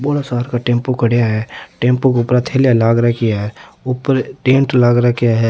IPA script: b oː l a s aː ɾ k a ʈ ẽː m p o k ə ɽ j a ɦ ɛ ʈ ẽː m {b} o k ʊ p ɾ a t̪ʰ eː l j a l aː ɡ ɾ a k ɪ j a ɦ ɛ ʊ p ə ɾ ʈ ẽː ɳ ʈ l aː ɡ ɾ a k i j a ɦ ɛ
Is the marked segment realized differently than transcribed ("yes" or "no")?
yes